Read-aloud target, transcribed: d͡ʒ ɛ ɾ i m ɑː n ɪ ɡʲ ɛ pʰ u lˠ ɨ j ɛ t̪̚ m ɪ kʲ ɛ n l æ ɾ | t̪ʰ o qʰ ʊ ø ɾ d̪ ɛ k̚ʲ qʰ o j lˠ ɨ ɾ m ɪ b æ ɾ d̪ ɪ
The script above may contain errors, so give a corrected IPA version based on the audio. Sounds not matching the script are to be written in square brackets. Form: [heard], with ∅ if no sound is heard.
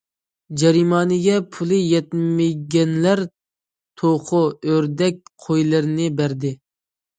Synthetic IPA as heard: d͡ʒ ɛ ɾ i m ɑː n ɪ ɡʲ ɛ pʰ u lˠ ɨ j ɛ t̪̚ m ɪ [ɡʲ] ɛ n l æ ɾ | t̪ʰ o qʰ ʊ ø ɾ d̪ ɛ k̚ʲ qʰ o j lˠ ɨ ɾ [n] ɪ b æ ɾ d̪ ɪ

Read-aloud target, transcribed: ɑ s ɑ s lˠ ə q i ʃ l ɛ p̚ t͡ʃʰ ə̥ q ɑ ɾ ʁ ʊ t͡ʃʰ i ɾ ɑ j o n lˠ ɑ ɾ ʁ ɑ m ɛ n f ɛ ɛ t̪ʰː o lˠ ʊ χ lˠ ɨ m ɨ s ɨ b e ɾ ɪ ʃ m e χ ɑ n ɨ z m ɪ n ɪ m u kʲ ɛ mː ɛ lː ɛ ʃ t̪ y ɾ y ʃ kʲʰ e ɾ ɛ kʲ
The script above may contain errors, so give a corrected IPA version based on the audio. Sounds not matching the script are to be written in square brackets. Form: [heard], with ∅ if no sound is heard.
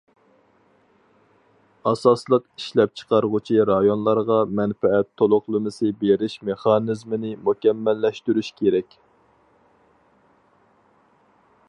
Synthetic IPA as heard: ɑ s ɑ s lˠ ə q i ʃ l ɛ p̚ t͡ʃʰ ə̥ q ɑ ɾ ʁ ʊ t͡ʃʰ i ɾ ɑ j o n lˠ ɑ ɾ ʁ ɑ m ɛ n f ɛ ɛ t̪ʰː o lˠ ʊ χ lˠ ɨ m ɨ s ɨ b e ɾ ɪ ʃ m e χ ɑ n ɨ z m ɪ n ɪ m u kʲ ɛ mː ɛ lː ɛ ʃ t̪ y ɾ y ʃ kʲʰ e ɾ ɛ kʲ

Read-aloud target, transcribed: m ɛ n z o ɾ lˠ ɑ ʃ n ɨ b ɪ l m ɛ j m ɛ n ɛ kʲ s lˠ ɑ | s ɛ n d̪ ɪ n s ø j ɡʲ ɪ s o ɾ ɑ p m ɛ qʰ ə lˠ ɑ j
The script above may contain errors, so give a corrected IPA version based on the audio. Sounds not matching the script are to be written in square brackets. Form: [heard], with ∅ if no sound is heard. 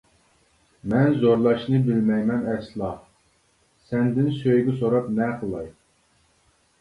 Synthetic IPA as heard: m ɛ n z o ɾ lˠ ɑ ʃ n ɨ b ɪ l m ɛ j m ɛ n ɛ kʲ s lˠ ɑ | s ɛ n d̪ ɪ n s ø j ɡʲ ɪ s o ɾ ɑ p [n] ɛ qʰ ə lˠ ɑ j

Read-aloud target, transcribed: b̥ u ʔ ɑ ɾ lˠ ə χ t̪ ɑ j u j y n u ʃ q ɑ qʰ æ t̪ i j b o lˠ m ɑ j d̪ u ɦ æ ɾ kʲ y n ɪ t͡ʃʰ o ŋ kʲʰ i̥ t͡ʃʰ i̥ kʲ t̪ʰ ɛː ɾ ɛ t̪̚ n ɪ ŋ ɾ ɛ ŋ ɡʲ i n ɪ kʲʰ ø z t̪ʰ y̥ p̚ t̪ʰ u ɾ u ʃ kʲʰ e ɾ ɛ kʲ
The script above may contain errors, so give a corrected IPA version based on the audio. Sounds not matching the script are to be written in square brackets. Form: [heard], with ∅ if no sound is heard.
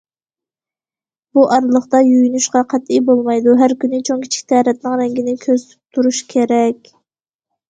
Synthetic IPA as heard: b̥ u ʔ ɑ ɾ lˠ ə χ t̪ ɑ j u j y n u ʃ q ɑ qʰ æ t̪ i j b o lˠ m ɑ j d̪ u ɦ æ ɾ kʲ y n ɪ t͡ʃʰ o ŋ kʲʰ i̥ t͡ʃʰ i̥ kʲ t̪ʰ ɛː ɾ ɛ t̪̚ n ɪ ŋ ɾ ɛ ŋ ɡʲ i n ɪ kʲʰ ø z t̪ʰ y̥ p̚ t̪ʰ u ɾ u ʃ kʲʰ e ɾ ɛ kʲ

